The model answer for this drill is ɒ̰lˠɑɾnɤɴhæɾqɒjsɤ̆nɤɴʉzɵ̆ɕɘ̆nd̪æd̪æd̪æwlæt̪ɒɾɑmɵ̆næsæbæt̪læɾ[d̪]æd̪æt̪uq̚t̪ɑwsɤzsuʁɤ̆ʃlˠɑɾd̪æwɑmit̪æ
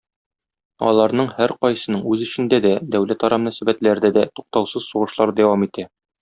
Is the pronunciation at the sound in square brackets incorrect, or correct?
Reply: correct